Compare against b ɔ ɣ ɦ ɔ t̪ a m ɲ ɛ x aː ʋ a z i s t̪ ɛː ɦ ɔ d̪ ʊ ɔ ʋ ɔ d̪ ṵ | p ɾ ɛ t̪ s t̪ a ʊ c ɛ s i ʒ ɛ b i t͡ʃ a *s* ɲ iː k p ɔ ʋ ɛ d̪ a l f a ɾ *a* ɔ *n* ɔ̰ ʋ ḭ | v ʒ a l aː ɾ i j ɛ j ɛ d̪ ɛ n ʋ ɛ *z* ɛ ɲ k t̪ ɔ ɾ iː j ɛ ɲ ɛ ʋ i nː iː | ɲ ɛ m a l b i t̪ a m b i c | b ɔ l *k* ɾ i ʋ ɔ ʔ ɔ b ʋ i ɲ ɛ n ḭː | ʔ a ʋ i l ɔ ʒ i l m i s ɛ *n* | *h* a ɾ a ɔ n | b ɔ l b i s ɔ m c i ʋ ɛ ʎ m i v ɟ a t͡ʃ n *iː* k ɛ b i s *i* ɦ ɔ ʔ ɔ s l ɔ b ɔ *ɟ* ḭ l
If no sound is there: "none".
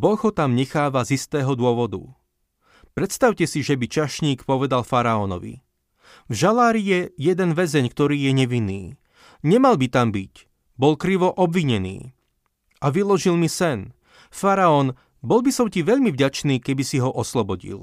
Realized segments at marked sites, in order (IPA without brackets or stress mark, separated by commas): ʃ, a, n, z, k, n, f, iː, i, ɟ